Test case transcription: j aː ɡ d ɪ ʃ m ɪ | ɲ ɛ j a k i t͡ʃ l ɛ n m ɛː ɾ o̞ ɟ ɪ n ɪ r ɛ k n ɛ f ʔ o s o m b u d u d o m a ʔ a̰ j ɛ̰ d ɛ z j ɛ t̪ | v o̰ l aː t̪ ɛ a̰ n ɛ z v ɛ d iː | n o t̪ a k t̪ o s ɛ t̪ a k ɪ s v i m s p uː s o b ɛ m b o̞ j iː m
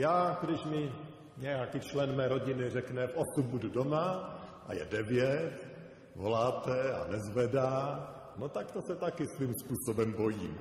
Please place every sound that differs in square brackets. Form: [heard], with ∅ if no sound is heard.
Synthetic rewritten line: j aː ɡ d ɪ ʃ m ɪ | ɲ ɛ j a k i t͡ʃ l ɛ n m ɛː ɾ o̞ ɟ ɪ n ɪ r ɛ k n ɛ f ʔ o s [u] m b u d u d o m a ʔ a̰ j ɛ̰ d ɛ [v] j ɛ t̪ | v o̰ l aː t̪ ɛ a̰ n ɛ z v ɛ d [aː] | n o t̪ a k t̪ o s ɛ t̪ a k ɪ s v i m s p uː s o b ɛ m b o̞ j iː m